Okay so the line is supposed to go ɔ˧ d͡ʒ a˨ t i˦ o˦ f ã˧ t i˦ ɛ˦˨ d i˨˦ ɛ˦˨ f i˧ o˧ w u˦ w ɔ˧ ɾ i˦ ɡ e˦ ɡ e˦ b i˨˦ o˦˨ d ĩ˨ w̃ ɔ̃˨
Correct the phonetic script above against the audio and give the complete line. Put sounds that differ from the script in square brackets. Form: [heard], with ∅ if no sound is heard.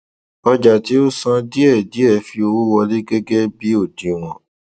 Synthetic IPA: ɔ˧ d͡ʒ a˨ t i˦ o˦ [s] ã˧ [d] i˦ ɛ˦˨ d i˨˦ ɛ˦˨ f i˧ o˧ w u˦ w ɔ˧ [l] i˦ ɡ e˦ ɡ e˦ b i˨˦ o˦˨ d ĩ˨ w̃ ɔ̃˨